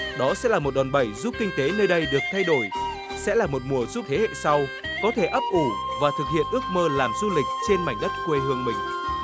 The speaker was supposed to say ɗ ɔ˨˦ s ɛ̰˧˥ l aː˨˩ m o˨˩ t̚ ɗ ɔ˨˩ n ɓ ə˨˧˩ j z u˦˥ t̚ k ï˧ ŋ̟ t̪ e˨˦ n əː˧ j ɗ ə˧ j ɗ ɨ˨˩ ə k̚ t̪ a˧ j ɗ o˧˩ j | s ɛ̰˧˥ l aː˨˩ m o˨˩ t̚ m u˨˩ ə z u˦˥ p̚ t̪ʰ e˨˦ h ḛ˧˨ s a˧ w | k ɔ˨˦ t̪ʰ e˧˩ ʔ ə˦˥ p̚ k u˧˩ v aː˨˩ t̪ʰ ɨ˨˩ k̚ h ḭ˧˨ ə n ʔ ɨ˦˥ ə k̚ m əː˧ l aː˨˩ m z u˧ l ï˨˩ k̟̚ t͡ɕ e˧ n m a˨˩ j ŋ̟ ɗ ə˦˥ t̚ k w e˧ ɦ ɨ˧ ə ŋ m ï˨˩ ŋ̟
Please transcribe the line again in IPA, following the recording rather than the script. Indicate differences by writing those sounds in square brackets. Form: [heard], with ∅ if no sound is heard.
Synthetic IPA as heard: ɗ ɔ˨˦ s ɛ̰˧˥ l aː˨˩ m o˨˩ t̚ ɗ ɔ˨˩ n ɓ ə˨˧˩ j z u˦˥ [p̚] k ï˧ ŋ̟ t̪ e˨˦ n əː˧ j ɗ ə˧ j ɗ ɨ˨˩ ə k̚ [t̪ʰ] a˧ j ɗ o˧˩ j | s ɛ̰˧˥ l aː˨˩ m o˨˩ t̚ m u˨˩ ə z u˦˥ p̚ t̪ʰ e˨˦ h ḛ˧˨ s a˧ w | k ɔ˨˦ t̪ʰ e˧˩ ʔ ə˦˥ p̚ [ʔ] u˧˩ v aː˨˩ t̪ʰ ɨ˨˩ k̚ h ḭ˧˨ ə n ʔ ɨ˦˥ ə k̚ m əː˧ l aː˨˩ m z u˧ l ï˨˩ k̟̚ t͡ɕ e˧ n m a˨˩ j ŋ̟ ɗ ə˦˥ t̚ k w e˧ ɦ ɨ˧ ə ŋ m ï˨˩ ŋ̟

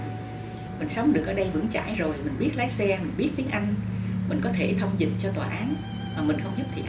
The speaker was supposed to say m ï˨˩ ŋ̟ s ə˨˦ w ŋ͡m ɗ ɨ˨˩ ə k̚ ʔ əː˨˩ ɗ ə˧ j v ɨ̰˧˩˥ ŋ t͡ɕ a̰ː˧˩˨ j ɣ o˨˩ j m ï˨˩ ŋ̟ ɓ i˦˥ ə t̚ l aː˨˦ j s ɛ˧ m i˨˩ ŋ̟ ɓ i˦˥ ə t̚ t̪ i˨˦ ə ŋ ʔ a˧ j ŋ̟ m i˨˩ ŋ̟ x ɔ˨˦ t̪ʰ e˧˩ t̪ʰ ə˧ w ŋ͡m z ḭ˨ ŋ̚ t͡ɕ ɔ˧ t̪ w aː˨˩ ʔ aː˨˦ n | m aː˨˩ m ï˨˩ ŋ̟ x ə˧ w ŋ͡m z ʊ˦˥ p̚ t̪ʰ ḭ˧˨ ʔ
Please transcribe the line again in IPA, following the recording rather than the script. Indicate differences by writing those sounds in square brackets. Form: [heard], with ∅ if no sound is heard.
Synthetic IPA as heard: m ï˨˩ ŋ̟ s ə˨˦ w ŋ͡m ɗ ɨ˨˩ ə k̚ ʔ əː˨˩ ɗ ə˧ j v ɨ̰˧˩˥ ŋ t͡ɕ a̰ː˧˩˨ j [z] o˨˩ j m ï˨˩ ŋ̟ ɓ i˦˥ ə t̚ l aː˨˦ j s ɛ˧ m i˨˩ ŋ̟ ɓ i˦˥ ə t̚ t̪ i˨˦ ə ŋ ʔ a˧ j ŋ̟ m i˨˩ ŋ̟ [k] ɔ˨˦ t̪ʰ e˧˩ t̪ʰ ə˧ w ŋ͡m z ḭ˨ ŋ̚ t͡ɕ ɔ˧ t̪ w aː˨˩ ʔ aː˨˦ n | m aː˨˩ m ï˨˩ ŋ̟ x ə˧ w ŋ͡m z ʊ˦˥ p̚ t̪ʰ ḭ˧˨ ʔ

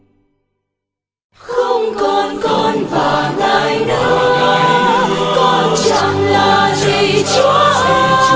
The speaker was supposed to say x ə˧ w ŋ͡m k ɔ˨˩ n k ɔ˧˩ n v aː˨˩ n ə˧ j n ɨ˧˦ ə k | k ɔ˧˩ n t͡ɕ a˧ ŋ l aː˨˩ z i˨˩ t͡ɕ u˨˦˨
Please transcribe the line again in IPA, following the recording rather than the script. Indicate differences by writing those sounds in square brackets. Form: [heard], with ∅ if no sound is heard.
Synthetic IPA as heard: x ə˧ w ŋ͡m k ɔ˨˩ n k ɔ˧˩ n v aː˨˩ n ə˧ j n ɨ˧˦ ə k | k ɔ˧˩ n t͡ɕ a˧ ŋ l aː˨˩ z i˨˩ t͡ɕ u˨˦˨

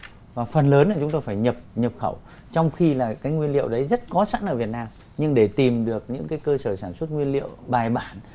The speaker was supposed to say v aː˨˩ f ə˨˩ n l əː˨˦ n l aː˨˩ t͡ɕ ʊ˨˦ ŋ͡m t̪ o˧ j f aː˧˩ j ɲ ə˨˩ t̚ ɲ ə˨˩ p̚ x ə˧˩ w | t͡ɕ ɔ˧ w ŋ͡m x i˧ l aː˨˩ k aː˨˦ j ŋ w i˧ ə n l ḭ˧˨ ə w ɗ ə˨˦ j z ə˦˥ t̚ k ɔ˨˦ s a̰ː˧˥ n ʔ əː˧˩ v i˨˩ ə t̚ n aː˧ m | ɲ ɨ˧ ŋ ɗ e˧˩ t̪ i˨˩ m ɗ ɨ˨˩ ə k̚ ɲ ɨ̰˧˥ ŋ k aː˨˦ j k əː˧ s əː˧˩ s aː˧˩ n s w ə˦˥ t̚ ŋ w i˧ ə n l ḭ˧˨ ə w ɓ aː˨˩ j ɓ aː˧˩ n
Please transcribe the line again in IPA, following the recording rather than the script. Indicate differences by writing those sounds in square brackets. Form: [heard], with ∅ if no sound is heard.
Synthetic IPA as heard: v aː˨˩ f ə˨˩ n l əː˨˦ n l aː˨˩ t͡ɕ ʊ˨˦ ŋ͡m t̪ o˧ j f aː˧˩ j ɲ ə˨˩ [p̚] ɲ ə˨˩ p̚ x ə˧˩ w | t͡ɕ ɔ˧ w ŋ͡m x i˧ l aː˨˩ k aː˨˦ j ŋ w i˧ ə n l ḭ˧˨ ə w ɗ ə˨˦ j z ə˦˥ t̚ k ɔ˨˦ s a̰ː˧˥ n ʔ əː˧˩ v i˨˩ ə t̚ n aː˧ m | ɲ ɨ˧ ŋ ɗ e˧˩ t̪ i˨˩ m ɗ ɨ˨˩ ə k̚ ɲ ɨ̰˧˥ ŋ k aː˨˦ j k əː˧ s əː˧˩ s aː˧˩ n s w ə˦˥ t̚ ŋ w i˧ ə n l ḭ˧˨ ə w ɓ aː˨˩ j ɓ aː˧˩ n

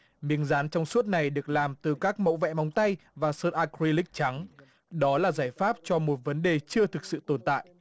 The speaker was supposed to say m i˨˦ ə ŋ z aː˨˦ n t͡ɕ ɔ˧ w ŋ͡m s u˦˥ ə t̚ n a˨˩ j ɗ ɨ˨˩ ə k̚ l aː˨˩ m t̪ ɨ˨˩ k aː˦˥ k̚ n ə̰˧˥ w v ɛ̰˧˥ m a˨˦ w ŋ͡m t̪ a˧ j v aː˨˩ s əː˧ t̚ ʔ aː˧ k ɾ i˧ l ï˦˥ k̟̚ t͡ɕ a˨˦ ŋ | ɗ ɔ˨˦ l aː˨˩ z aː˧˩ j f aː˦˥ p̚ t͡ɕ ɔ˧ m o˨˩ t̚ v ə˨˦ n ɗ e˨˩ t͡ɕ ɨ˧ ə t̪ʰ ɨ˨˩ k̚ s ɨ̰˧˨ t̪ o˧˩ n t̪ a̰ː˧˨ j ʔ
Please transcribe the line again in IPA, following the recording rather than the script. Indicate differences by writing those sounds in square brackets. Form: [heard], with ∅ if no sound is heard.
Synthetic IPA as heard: m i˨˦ ə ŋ z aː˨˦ n t͡ɕ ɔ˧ w ŋ͡m s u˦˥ ə t̚ n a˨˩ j ɗ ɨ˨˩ ə k̚ l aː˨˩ m t̪ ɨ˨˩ k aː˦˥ k̚ [m] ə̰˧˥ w v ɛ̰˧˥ m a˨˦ w ŋ͡m t̪ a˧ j v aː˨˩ s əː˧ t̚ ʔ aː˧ k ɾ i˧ l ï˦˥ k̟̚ t͡ɕ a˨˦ ŋ | ɗ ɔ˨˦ l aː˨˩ z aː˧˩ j f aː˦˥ p̚ t͡ɕ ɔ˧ m o˨˩ t̚ v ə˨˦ n ɗ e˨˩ t͡ɕ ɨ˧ ə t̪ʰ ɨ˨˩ k̚ s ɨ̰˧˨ t̪ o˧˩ n t̪ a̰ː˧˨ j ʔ

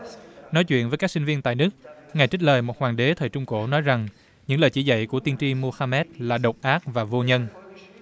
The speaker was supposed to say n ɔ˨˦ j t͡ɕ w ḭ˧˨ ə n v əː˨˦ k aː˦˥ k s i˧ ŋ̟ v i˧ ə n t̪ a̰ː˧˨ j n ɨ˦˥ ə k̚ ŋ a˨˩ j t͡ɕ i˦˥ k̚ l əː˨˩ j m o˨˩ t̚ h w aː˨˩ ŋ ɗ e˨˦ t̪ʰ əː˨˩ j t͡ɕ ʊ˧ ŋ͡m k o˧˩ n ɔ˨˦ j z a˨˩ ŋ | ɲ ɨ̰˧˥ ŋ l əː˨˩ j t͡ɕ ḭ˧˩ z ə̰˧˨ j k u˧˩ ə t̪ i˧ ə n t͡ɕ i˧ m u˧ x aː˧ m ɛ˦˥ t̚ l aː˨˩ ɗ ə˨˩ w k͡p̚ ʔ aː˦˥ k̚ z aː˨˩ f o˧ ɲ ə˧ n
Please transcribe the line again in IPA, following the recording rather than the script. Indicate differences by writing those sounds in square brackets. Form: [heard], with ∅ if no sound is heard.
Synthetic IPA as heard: n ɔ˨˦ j t͡ɕ w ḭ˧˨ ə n v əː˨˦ k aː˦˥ k s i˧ ŋ̟ v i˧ ə n t̪ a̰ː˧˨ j n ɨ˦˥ ə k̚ ŋ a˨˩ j t͡ɕ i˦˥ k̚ l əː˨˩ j m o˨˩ t̚ h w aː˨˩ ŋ ɗ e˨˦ t̪ʰ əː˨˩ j t͡ɕ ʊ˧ ŋ͡m k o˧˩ n ɔ˨˦ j z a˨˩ ŋ | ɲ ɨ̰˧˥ ŋ l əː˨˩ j t͡ɕ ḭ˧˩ z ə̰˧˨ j k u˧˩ ə t̪ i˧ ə n t͡ɕ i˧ m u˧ x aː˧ m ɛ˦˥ t̚ l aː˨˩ ɗ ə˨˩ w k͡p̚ ʔ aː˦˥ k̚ [v] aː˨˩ [v] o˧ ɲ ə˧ n

